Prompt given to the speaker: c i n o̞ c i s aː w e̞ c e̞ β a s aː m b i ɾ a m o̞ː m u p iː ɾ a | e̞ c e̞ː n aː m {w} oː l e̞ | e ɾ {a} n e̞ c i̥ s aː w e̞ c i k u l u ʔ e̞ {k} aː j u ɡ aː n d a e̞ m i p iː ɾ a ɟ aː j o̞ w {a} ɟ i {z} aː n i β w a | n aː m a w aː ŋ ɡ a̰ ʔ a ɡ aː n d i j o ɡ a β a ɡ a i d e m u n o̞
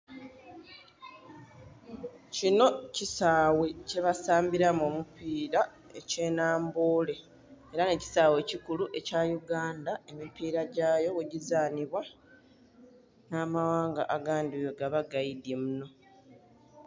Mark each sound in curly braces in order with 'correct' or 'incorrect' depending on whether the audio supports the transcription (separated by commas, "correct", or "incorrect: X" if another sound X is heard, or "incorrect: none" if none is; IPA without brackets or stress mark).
incorrect: b, correct, incorrect: c, incorrect: e, correct